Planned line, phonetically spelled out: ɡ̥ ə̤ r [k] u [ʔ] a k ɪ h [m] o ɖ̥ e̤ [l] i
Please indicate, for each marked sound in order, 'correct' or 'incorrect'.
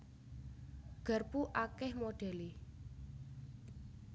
incorrect: p, correct, correct, correct

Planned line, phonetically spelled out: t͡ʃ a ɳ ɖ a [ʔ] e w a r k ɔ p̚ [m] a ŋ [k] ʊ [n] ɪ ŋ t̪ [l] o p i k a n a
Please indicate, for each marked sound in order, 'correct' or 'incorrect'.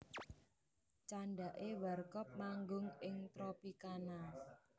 correct, correct, incorrect: ɡ, incorrect: ŋ, incorrect: ɾ

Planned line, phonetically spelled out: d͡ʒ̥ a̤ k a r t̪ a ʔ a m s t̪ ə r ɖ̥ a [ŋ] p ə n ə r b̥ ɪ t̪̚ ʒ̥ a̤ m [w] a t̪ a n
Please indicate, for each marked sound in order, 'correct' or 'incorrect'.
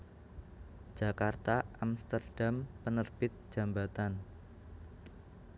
incorrect: m, incorrect: b

